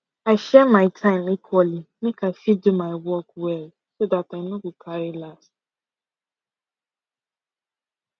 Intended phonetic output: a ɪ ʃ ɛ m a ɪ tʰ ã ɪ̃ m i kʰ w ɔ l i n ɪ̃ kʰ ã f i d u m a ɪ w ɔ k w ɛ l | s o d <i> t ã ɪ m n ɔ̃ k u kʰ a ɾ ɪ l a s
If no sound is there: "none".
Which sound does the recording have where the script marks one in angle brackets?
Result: a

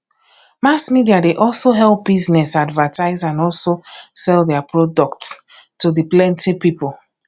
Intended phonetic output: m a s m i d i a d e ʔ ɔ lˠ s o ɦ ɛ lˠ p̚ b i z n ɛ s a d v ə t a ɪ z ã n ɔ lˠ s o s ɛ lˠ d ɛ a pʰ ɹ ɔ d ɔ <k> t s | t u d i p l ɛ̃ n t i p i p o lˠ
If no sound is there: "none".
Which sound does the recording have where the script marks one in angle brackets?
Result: k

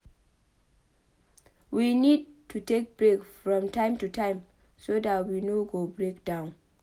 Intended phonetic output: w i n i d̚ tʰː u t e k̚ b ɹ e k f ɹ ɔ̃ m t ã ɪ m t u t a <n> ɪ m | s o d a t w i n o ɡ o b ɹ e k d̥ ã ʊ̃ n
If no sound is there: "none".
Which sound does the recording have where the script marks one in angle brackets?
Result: none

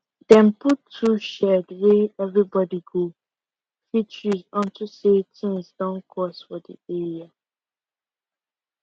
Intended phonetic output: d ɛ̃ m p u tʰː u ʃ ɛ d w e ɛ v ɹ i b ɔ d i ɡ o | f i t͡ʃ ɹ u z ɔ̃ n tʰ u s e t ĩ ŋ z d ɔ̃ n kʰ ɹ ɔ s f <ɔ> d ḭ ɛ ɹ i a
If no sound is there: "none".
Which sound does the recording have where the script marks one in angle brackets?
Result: ɔ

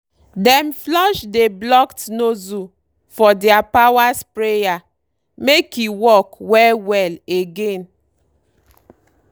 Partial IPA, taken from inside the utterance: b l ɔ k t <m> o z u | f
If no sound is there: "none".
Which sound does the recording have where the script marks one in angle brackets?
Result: n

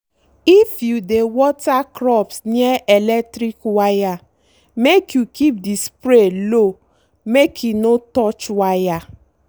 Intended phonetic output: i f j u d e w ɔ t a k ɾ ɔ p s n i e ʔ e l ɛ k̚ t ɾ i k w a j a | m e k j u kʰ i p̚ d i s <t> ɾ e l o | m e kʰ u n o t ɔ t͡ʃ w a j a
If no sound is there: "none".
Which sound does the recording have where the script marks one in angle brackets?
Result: p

